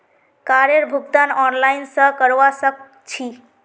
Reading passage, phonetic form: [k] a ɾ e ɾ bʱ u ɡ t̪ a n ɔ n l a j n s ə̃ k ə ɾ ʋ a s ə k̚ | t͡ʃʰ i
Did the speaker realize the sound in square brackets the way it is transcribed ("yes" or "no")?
yes